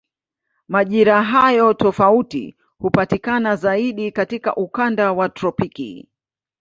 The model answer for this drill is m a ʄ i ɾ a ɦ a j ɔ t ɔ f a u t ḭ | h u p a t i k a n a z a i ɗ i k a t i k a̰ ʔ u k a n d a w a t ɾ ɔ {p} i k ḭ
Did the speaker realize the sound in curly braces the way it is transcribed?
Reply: yes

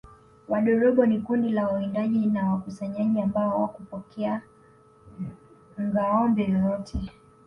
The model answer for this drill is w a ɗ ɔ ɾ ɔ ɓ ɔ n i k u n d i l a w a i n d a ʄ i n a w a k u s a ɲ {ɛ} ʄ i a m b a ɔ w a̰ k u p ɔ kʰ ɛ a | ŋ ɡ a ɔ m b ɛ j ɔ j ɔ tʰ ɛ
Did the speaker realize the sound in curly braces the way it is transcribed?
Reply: no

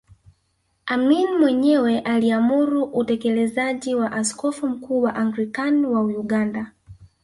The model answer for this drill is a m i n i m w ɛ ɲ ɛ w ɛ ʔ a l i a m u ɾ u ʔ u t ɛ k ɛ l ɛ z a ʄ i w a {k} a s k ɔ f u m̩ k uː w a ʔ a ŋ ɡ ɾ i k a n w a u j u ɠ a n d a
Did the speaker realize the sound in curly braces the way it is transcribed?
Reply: no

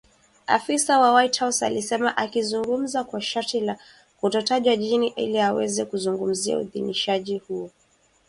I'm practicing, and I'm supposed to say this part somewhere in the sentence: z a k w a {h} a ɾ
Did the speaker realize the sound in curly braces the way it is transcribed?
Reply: no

